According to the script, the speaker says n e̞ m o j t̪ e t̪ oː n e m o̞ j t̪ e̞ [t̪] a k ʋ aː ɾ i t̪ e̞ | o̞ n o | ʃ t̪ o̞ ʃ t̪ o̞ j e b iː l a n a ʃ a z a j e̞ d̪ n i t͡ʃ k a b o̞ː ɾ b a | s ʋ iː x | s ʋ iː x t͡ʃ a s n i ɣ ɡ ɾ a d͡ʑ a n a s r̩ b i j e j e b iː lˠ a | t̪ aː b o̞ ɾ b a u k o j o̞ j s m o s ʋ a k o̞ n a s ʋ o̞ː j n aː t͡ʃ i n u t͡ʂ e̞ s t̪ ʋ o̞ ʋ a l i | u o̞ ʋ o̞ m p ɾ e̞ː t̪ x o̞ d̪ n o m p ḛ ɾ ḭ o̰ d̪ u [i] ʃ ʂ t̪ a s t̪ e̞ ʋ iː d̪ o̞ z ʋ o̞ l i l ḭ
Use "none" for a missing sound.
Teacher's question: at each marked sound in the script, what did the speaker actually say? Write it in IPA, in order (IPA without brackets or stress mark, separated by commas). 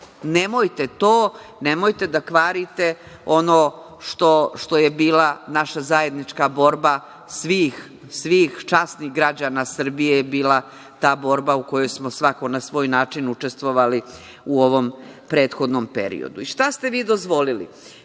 d̪, i